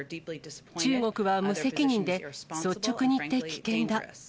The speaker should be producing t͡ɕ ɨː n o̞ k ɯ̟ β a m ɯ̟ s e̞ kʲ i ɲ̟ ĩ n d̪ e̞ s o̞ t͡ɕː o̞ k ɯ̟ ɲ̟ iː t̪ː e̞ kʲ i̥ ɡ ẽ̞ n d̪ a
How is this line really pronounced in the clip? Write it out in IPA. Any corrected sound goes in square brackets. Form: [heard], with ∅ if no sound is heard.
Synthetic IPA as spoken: t͡ɕ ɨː [ŋ] o̞ k ɯ̟ β a m ɯ̟ s e̞ kʲ i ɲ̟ ĩ n d̪ e̞ s o̞ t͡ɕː o̞ k ɯ̟ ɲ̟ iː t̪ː e̞ kʲ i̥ [k] ẽ̞ n d̪ a